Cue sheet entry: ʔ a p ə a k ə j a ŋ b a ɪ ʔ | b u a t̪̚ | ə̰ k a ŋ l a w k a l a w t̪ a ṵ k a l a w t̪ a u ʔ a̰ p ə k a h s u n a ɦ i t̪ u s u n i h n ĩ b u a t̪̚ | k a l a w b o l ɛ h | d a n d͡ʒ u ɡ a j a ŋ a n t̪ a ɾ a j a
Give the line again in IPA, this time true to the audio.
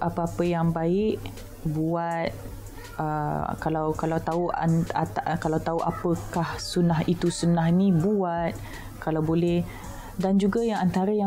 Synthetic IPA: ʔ a p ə a p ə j a ŋ b a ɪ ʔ | b u a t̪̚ | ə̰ k a l a w k a l a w t̪ a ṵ k a l a w t̪ a u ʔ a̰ p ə k a h s u n a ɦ i t̪ u s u n a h n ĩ b u a t̪̚ | k a l a w b o l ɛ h | d a n d͡ʒ u ɡ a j a ŋ a n t̪ a ɾ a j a